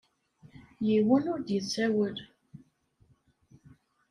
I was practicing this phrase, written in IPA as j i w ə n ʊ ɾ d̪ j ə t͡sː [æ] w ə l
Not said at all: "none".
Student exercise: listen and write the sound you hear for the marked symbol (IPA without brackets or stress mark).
æ